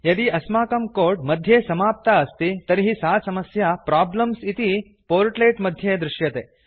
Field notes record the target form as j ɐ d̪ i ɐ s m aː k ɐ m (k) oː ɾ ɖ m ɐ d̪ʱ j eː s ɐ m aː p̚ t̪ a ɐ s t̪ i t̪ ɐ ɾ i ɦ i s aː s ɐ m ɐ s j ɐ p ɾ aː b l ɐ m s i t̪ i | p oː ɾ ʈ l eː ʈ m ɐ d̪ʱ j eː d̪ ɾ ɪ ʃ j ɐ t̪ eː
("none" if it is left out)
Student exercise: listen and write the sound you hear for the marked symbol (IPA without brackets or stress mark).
k